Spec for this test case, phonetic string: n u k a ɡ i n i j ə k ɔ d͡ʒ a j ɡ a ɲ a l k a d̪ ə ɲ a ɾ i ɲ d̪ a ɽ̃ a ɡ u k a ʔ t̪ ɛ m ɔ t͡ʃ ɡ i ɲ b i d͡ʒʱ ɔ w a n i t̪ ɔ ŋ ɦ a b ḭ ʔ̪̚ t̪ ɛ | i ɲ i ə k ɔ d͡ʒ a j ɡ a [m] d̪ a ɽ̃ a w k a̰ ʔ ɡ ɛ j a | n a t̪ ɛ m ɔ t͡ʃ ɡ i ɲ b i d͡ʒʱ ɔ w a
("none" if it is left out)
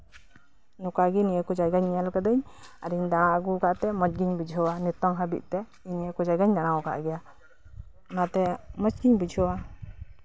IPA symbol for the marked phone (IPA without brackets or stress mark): ɲ